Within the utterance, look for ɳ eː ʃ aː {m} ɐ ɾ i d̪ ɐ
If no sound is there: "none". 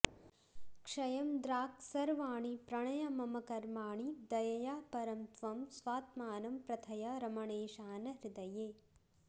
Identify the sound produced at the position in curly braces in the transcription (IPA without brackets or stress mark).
n